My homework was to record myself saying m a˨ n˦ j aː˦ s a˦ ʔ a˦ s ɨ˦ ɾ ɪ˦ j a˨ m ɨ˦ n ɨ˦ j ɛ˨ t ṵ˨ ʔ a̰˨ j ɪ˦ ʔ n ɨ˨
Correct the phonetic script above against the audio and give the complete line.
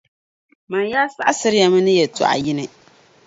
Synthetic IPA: m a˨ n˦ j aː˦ s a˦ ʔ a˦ s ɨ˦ ɾ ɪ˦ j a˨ m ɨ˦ n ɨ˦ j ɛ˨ t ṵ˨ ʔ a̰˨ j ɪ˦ n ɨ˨